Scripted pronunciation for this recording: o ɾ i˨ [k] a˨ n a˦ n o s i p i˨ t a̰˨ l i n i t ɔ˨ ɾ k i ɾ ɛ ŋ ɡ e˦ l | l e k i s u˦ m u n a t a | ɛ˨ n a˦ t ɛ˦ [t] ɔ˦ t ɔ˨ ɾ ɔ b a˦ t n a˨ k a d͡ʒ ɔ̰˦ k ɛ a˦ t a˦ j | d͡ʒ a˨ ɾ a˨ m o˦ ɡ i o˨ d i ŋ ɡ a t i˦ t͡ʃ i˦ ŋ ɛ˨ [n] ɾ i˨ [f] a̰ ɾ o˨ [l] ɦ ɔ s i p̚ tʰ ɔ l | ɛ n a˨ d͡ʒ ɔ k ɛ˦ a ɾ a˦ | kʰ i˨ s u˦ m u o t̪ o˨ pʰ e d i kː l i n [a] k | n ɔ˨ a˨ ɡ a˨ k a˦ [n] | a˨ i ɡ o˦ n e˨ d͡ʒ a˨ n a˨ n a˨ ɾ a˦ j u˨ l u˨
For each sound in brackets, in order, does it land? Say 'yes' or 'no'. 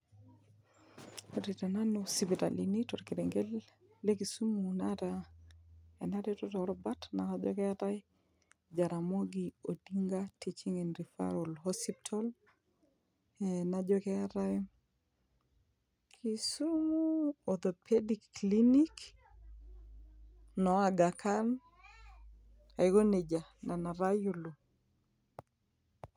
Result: no, yes, yes, yes, yes, no, yes

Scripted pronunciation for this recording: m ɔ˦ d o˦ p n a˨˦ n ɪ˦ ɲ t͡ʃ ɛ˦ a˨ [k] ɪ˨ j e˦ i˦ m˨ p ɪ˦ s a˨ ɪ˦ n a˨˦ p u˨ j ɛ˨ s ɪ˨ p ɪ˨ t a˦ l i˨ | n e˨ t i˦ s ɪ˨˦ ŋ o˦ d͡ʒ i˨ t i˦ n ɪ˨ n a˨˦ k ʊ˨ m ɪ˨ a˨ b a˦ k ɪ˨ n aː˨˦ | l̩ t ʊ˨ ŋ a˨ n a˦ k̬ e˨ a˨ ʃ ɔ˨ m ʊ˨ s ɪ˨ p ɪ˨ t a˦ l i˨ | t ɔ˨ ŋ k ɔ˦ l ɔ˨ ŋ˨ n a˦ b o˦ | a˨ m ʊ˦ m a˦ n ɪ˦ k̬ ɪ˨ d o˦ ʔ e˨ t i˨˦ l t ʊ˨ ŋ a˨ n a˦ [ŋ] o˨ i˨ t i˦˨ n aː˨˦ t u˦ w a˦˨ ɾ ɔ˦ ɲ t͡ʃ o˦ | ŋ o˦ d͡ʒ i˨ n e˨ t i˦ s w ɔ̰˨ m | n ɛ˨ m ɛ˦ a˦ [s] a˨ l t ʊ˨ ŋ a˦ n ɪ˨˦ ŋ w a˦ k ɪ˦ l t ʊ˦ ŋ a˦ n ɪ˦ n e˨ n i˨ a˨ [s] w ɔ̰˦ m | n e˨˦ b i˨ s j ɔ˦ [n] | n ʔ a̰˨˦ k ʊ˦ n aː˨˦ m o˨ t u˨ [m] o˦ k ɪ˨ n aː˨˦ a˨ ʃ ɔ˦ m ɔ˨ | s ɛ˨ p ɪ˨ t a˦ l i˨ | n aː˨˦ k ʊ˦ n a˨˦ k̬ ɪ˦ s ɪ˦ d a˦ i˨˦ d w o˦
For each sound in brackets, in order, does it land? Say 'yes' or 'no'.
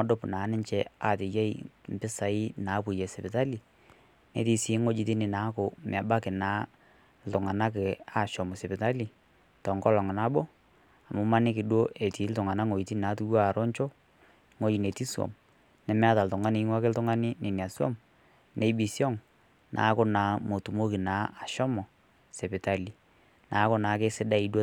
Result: no, yes, no, yes, no, yes

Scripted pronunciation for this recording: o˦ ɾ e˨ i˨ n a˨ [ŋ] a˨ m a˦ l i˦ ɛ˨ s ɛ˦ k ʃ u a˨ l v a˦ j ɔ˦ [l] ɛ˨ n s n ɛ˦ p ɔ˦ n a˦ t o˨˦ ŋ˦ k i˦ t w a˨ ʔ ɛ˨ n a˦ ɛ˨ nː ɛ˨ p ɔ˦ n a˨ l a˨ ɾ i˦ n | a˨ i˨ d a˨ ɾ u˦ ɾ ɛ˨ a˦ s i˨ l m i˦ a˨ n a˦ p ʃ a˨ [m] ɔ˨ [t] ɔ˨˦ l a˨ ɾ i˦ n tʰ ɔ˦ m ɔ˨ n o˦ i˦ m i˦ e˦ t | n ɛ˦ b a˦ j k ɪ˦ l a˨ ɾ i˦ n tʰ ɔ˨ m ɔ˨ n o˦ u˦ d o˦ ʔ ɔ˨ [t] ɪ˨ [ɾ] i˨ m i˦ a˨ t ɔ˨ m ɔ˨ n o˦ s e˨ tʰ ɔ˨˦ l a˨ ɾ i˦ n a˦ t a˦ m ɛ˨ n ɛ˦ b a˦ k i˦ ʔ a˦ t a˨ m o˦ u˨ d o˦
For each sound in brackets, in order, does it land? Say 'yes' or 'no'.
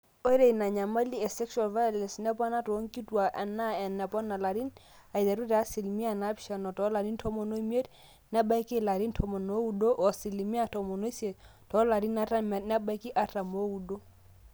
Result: no, yes, no, yes, no, no

